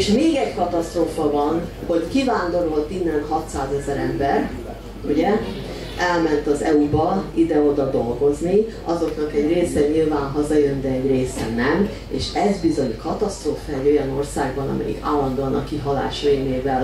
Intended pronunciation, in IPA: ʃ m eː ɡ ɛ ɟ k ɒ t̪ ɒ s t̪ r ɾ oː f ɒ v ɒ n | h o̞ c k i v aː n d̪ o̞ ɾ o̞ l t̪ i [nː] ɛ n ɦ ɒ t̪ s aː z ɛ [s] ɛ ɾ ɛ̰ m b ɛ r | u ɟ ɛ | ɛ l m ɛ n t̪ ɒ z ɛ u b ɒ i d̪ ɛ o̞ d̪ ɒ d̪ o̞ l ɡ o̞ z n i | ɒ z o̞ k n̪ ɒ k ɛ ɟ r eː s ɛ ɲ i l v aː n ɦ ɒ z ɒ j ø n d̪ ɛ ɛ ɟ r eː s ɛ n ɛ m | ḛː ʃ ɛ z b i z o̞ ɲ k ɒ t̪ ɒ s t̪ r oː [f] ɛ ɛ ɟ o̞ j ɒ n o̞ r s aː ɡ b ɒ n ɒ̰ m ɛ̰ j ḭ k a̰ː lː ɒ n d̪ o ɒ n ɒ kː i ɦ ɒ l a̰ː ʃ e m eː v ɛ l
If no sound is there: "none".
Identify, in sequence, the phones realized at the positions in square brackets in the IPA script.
nː, z, f

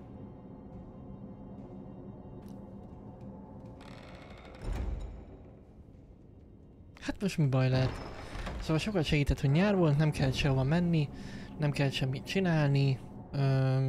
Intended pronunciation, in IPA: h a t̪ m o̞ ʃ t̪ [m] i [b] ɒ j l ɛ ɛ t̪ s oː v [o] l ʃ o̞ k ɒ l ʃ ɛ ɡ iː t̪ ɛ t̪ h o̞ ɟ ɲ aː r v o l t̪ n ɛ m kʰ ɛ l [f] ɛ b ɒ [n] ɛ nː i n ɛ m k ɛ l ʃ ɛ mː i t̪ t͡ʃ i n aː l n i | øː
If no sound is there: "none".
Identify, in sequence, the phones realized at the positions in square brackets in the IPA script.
m, b, ɒ, ʃ, m

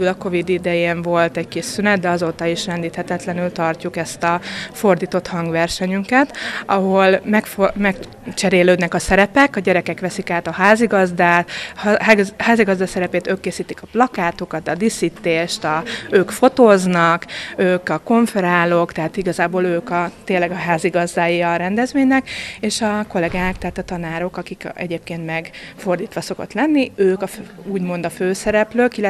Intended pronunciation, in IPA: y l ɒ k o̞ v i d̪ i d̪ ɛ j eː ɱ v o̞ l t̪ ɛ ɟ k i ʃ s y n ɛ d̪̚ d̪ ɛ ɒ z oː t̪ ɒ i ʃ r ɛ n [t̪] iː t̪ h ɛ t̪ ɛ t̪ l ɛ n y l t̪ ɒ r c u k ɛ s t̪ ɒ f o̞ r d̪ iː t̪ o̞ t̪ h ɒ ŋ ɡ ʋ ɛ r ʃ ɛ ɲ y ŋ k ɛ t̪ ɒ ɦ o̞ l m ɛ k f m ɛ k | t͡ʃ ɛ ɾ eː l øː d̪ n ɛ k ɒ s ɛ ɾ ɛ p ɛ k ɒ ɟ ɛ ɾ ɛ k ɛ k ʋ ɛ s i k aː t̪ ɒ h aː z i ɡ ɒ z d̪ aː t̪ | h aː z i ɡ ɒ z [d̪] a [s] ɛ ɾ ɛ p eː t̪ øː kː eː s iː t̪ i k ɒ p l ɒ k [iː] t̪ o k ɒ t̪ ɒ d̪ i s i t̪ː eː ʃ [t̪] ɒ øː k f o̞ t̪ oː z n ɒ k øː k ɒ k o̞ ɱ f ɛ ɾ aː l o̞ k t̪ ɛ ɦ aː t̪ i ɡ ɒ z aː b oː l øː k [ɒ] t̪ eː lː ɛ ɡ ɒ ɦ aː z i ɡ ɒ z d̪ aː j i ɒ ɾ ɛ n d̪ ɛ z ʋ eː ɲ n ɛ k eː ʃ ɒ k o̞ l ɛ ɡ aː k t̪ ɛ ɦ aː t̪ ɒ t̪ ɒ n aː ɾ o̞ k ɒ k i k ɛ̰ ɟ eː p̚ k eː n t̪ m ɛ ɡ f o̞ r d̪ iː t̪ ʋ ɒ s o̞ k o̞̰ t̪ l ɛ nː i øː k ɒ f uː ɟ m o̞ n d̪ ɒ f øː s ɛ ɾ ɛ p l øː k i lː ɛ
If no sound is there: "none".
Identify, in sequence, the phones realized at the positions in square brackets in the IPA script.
d̪, d̪, s, aː, t̪, ɒ

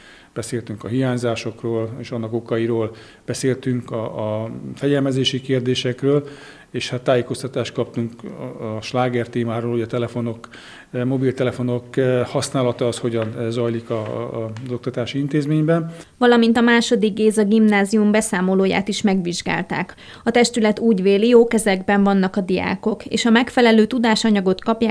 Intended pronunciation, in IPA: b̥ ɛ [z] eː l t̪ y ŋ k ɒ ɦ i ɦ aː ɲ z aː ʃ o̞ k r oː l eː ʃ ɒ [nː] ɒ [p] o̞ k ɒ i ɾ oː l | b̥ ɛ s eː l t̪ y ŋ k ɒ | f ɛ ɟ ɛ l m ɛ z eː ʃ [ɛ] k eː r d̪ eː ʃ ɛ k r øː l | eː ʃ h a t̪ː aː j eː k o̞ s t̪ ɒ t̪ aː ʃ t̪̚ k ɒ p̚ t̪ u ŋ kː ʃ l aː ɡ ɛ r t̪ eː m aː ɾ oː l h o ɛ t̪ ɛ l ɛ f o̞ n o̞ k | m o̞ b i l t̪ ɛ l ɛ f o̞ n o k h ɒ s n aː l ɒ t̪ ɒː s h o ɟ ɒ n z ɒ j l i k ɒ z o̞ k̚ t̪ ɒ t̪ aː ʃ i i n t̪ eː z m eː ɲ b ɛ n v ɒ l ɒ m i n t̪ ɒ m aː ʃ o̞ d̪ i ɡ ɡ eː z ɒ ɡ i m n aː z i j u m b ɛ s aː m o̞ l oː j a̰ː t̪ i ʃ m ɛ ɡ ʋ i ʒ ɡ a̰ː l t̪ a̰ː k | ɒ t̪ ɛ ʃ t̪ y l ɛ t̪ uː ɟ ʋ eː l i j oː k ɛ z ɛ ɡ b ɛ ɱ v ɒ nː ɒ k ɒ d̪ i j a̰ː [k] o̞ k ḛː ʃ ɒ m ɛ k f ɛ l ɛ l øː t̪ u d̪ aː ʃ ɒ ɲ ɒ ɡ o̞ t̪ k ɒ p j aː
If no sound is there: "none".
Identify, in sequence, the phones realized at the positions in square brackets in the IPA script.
s, nː, k, i, k

